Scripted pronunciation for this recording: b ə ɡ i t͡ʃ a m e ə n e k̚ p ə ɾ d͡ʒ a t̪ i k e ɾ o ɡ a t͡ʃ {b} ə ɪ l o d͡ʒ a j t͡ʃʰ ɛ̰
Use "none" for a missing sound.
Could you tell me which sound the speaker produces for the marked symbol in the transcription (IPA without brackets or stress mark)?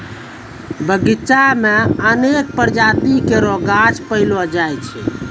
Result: p